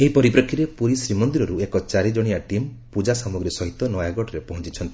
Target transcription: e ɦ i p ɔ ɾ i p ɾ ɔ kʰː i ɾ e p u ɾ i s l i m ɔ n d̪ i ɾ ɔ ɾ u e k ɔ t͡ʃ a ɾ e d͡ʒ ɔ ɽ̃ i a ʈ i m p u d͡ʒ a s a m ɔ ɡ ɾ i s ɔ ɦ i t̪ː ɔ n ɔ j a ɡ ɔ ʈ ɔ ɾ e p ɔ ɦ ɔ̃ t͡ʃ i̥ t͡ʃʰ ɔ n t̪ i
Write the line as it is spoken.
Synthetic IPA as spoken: e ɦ i p ɔ ɾ i p ɾ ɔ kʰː i ɾ e p u ɾ i s ɾ i m ɔ n d̪ i ɾ ɔ ɾ u e k ɔ t͡ʃ a ɾ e d͡ʒ ɔ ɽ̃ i a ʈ i m p u d͡ʒ a s a m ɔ ɡ ɾ i s ɔ ɦ i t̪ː ɔ n ɔ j a ɡ ɔ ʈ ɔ ɾ e p ɔ ɦ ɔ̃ t͡ʃ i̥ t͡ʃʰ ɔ n t̪ i